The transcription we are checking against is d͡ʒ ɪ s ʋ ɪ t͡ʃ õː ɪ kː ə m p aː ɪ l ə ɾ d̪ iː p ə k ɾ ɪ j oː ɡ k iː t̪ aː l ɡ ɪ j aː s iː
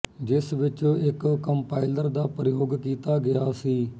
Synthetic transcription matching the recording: d͡ʒ ɪ s ʋ ɪ t͡ʃ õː ɪ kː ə m p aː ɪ l ə ɾ d̪ aː p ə ɾ ɪ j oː ɡ k iː t̪ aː ɡ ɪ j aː s iː

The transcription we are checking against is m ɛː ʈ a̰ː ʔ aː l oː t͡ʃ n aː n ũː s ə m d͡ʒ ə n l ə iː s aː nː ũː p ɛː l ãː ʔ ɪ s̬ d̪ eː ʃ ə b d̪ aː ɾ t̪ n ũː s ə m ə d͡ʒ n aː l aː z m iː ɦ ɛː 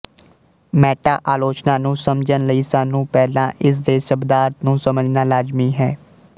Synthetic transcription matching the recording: m ɛː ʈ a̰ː ʔ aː l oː t͡ʃ n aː n ũː s ə m d͡ʒ ə n l ə iː s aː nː ũː p ɛː l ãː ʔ ɪ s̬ d̪ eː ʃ ə b d̪ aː ɾ t̪ n ũː s ə m ə d͡ʒ n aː l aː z m iː ɦ ɛː

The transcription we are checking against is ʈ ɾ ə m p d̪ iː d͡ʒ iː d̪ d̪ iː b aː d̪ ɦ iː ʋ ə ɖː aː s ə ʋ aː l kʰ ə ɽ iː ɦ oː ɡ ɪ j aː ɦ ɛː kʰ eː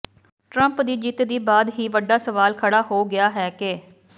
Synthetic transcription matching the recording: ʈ ɾ ə m p d̪ iː d͡ʒ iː t̪ d̪ iː b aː d̪ ɦ iː ʋ ə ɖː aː s ə ʋ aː l kʰ ə ɽ aː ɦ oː ɡ ɪ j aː ɦ ɛː k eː

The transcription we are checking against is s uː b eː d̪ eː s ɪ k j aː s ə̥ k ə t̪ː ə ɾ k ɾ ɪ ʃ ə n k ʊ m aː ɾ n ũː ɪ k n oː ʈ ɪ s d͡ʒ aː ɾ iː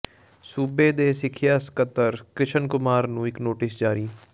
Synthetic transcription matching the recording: s uː b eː d̪ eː s ɪ kʰ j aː s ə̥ k ə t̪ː ə ɾ k ɾ ɪ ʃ ə n k ʊ m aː ɾ n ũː ɪ k n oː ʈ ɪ s d͡ʒ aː ɾ iː

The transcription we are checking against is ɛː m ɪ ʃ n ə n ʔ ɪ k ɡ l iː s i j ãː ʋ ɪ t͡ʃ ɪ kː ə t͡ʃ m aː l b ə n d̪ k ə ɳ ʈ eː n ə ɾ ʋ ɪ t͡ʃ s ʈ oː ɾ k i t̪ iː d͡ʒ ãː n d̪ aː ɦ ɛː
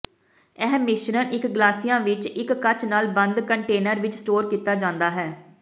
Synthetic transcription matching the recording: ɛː m ɪ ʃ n ə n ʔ ɪ k ɡ l aː s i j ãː ʋ ɪ t͡ʃ ɪ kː ə t͡ʃ n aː l b ə n d̪ k ə ɳ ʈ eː n ə ɾ ʋ ɪ t͡ʃ s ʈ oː ɾ k iː t̪ aː d͡ʒ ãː n d̪ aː ɦ ɛː

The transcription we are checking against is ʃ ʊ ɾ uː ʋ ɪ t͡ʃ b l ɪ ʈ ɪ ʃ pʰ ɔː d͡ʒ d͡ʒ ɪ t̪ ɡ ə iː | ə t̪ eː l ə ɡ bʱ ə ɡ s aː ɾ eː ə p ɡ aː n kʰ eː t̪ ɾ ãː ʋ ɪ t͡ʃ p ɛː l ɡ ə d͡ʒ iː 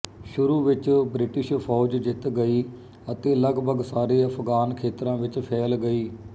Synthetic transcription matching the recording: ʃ ʊ ɾ uː ʋ ɪ t͡ʃ b ɾ ɪ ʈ ɪ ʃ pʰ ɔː d͡ʒ d͡ʒ ɪ t̪ ɡ ə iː | ə t̪ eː l ə ɡ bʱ ə ɡ s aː ɾ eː ə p ɡ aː n kʰ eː t̪ ɾ ãː ʋ ɪ t͡ʃ pʰ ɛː l ɡ ə iː

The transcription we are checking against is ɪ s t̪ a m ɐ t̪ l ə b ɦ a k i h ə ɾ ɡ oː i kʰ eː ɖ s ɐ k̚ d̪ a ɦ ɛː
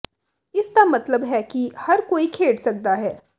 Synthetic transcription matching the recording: ɪ s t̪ a m ɐ t̪ l ə b ɦ ɛ k i h ɐ ɾ k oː i kʰ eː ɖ s ɐ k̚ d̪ a ɦ ɛː

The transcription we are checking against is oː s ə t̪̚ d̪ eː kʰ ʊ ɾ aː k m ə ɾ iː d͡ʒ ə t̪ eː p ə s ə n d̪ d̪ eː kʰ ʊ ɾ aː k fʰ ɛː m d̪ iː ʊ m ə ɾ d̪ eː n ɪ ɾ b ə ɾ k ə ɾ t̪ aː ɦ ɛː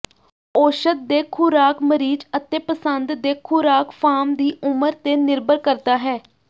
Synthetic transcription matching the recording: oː ʃ ə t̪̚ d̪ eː kʰ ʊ ɾ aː k m ə ɾ iː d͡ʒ ə t̪ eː p ə s ə n d̪ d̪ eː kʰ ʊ ɾ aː k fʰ aː m d̪ iː ʊ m ə ɾ t̪ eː n ɪ ɾ b ə ɾ k ə ɾ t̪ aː ɦ ɛː

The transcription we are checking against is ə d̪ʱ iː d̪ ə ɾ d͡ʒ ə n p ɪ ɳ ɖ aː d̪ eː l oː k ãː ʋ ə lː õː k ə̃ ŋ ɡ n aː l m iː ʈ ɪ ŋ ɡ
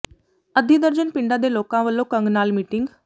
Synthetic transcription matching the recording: ə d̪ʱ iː d̪ ə ɾ d͡ʒ ə n p ɪ ɳ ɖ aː d̪ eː l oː k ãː ʋ ə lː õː k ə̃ ŋ ɡ n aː l m iː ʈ ɪ ŋ ɡ

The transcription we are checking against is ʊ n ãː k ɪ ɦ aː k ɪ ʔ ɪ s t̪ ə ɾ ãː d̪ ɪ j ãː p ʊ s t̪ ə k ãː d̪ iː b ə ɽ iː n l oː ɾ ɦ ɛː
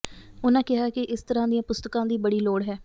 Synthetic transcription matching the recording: ʊ n ãː k ɪ ɦ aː k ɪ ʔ ɪ s t̪ ə ɾ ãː d̪ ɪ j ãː p ʊ s t̪ ə k ãː d̪ iː b ə ɽ iː l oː ɽ ɦ ɛː

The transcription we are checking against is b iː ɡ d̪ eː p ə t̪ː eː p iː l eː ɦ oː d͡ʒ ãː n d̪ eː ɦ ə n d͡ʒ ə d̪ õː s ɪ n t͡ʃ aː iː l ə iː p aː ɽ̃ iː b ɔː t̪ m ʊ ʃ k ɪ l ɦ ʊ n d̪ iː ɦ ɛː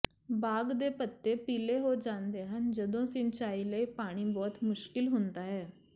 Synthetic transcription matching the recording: b aː ɡ d̪ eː p ə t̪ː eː p iː l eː ɦ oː d͡ʒ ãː n d̪ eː ɦ ə n d͡ʒ ə d̪ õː s ɪ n t͡ʃ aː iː l ə iː p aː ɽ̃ iː b ɔː t̪ m ʊ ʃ k ɪ l ɦ ʊ n d̪ aː ɦ ɛː

